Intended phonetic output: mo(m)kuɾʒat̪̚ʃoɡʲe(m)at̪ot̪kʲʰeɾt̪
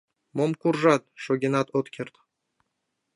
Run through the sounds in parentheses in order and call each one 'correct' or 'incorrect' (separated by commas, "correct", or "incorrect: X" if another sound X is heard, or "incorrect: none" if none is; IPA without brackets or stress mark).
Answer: correct, incorrect: n